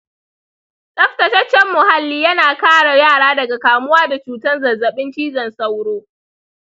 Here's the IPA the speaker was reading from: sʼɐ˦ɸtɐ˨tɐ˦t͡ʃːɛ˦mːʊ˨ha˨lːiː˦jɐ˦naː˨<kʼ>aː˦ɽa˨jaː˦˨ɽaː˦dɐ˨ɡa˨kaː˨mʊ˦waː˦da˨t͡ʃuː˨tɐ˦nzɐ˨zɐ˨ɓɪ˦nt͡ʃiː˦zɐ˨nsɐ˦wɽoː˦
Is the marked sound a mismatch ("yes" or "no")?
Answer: yes